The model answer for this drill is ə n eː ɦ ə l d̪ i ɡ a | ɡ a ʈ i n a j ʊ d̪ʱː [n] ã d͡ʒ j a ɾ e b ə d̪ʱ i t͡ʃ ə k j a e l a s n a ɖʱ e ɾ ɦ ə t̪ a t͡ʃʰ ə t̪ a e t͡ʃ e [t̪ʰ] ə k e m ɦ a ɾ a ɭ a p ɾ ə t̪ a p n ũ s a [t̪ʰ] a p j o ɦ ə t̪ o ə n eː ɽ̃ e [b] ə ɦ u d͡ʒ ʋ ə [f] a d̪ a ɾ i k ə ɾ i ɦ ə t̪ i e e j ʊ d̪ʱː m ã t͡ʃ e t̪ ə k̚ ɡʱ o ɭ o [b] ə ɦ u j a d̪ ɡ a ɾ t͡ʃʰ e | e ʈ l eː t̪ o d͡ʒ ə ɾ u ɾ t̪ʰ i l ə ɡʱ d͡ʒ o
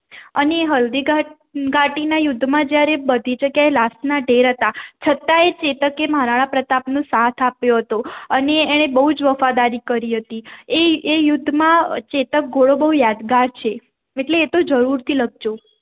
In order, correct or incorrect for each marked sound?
incorrect, incorrect, correct, correct, correct, correct

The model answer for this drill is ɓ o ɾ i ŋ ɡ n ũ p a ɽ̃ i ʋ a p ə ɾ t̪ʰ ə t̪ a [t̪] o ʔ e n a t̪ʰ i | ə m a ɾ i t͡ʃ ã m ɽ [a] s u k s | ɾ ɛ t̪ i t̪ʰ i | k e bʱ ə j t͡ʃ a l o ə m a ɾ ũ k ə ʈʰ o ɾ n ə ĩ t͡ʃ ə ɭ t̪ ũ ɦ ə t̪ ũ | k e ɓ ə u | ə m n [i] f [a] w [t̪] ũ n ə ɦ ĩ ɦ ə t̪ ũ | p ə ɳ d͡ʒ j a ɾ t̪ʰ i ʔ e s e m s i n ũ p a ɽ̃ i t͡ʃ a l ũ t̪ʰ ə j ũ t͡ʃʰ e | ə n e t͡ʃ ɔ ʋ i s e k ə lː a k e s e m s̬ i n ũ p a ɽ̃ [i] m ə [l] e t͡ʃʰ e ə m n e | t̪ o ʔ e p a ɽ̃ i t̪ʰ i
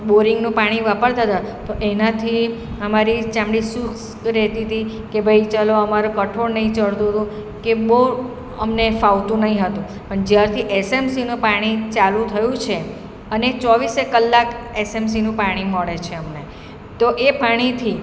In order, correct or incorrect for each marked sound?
correct, incorrect, incorrect, correct, correct, correct, incorrect

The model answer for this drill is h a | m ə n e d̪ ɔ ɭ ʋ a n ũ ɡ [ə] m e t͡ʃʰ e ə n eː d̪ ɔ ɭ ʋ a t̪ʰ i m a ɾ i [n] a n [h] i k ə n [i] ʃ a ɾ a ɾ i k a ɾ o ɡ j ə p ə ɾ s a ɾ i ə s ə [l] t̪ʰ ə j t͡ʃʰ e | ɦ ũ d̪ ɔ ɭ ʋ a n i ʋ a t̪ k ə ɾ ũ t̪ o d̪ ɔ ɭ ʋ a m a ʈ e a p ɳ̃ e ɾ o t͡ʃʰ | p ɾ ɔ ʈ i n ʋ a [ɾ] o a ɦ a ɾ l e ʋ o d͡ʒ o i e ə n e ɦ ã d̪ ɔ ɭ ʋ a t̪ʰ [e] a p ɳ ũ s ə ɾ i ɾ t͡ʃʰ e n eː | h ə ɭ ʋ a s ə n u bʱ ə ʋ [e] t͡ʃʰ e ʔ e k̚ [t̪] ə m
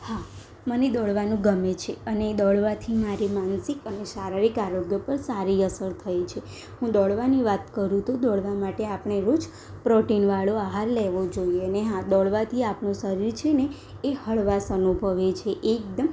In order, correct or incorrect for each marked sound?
correct, incorrect, incorrect, incorrect, incorrect, incorrect, incorrect, correct, incorrect

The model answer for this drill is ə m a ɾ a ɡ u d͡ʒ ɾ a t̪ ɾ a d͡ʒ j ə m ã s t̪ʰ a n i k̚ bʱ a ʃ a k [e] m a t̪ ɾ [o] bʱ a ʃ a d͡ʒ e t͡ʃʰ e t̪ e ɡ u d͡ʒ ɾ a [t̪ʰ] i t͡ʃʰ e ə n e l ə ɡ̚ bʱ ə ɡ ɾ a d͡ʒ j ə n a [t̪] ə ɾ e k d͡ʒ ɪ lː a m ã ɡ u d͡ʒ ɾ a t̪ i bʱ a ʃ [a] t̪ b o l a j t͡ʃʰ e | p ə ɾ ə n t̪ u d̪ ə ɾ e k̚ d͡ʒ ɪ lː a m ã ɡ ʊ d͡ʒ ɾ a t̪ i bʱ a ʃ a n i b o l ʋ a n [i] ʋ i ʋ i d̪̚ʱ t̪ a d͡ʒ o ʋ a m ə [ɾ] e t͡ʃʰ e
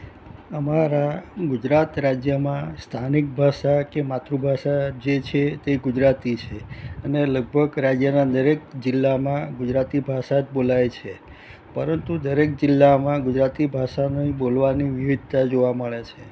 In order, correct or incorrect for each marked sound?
correct, incorrect, incorrect, incorrect, correct, correct, incorrect

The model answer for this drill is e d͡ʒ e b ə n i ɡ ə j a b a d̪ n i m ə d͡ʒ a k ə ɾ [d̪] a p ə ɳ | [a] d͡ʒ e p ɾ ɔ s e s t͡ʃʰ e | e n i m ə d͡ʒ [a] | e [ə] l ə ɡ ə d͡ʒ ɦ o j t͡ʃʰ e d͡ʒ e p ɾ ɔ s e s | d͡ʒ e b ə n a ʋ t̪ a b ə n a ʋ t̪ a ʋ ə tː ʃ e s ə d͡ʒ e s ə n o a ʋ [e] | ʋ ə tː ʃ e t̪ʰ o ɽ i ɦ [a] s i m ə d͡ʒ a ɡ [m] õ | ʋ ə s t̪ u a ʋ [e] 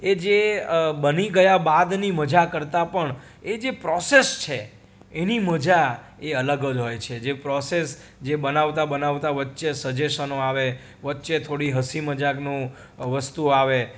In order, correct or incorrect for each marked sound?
incorrect, incorrect, correct, correct, correct, incorrect, incorrect, correct

